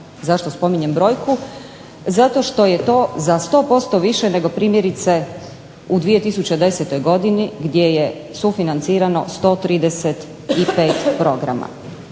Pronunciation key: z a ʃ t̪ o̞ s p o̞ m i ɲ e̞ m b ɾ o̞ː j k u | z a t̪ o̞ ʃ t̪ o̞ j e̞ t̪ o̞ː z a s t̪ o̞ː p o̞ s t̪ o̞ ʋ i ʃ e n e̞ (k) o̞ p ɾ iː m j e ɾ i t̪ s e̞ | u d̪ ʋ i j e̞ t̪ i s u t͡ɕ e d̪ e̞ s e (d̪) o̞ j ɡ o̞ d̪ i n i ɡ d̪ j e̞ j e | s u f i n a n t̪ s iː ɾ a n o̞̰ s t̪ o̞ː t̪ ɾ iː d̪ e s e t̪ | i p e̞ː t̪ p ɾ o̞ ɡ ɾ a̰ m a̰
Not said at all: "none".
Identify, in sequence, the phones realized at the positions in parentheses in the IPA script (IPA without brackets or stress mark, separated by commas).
ɡ, t̪